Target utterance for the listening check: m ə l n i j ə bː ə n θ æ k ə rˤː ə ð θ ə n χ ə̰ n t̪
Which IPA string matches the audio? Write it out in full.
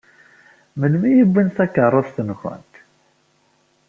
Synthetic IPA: m ə l m i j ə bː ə n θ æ k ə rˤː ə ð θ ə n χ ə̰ n t̪